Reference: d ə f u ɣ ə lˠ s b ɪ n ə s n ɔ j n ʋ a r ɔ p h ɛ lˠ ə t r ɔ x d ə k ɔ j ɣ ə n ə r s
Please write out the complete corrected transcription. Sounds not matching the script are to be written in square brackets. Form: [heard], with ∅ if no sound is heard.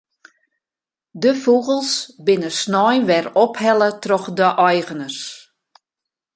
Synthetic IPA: d ə f u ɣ ə lˠ s b ɪ n ə s n ɔ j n ʋ [ɛ] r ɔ p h ɛ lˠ ə t r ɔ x d ə [ʔ] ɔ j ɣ ə n ə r s